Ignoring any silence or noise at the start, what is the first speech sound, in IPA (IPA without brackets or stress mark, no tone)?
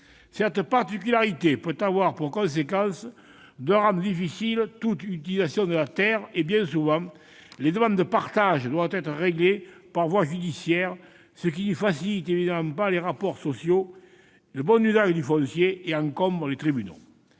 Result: s